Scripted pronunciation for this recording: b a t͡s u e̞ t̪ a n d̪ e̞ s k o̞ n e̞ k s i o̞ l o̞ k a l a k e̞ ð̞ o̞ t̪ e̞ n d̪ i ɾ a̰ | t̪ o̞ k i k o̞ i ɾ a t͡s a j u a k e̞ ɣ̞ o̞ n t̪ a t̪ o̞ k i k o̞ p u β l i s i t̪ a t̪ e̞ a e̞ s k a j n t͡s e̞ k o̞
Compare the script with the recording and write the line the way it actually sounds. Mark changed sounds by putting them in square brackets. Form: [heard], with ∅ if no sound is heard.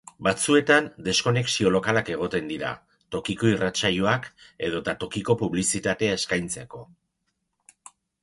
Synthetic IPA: b a t͡s u e̞ t̪ a n d̪ e̞ s k o̞ n e̞ k s i o̞ l o̞ k a l a k e̞ [ɣ̞] o̞ t̪ e̞ n d̪ i ɾ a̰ | t̪ o̞ k i k o̞ i [r] a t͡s a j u a k e̞ [ð̞] o̞ [∅] t̪ a t̪ o̞ k i k o̞ p u β l i s i t̪ a t̪ e̞ a e̞ s k a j n t͡s e̞ k o̞